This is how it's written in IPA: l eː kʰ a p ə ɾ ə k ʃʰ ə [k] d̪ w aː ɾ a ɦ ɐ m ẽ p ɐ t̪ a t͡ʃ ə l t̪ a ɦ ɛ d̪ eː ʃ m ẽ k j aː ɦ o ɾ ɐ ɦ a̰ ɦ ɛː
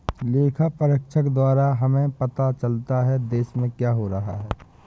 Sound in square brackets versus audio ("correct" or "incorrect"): correct